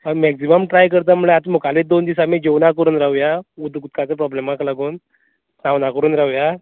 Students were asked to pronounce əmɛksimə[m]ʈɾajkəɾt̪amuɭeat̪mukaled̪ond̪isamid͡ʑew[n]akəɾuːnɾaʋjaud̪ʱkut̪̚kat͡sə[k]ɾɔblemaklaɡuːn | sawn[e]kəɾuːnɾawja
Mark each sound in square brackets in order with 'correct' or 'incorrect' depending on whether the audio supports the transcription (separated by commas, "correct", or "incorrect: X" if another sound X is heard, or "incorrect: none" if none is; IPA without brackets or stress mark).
correct, correct, incorrect: p, incorrect: a